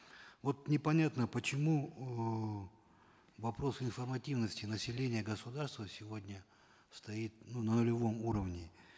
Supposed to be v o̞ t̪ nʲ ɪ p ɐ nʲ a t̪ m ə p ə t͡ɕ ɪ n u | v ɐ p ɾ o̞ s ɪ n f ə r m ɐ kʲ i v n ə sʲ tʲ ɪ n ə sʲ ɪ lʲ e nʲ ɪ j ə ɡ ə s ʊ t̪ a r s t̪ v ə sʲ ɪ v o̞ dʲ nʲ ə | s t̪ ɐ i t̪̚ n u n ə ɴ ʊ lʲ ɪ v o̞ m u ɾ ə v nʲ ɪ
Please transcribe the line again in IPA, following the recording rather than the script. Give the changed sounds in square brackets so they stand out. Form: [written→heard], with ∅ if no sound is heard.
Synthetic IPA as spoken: v o̞ t̪ nʲ ɪ p ɐ nʲ a t̪ [m→n] ə p ə t͡ɕ ɪ [n→m] u | v ɐ p ɾ o̞ s ɪ n f ə r m ɐ [kʲ→tʲ] i v n ə sʲ tʲ ɪ n ə sʲ ɪ lʲ e nʲ ɪ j ə ɡ ə s ʊ [t̪→d̪] a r s t̪ v ə sʲ ɪ v o̞ dʲ nʲ ə | s t̪ ɐ i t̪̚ n u n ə [ɴ→n] ʊ lʲ ɪ v o̞ m u ɾ ə v nʲ ɪ